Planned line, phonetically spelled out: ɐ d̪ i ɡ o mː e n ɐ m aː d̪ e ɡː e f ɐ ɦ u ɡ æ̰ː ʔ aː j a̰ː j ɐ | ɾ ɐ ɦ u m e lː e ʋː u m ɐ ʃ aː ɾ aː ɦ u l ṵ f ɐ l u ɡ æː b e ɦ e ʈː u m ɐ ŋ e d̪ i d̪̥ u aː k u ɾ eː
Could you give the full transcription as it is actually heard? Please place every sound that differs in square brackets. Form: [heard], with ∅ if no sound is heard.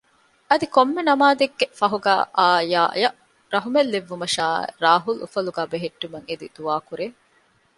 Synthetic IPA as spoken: ɐ d̪ i [k] o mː e n ɐ m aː d̪ e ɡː e f ɐ ɦ u ɡ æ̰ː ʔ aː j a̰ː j ɐ | ɾ ɐ ɦ u m e lː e ʋː u m ɐ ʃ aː ɾ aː ɦ u l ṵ f ɐ l u ɡ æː b e ɦ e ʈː u m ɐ ŋ e d̪ i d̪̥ u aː k u ɾ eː